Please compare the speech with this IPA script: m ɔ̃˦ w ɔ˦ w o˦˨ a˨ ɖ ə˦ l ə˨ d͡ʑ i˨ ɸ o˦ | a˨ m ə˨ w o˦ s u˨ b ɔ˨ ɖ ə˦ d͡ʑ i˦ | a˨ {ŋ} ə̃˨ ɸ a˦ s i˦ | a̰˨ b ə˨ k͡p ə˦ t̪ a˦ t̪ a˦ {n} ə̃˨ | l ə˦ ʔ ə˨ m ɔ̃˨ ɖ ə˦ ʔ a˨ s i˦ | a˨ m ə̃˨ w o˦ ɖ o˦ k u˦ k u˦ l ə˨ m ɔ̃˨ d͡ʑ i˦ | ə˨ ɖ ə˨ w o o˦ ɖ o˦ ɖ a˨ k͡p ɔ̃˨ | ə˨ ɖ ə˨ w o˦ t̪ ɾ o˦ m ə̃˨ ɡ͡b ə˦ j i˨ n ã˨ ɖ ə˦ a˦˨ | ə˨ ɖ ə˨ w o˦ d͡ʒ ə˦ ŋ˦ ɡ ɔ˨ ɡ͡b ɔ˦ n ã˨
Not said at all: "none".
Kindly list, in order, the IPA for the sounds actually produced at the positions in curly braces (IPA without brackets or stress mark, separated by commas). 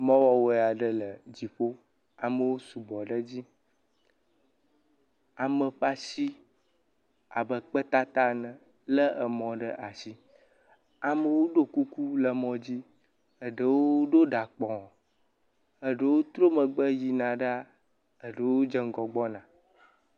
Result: m, n